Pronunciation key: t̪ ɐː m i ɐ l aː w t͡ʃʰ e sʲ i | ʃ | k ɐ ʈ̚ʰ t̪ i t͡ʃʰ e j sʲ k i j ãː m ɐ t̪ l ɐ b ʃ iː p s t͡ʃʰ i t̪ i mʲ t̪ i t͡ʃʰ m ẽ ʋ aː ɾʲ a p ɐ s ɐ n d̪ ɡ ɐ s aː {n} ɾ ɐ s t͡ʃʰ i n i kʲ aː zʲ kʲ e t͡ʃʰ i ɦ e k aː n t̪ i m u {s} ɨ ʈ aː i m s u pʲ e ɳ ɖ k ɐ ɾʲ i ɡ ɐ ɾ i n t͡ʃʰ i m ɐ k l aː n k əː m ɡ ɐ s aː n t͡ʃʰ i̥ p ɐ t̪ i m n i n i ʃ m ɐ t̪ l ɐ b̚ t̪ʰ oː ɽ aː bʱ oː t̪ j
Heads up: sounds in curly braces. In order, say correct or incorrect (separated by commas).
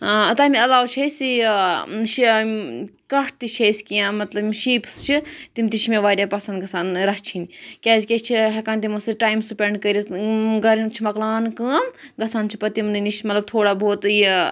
correct, correct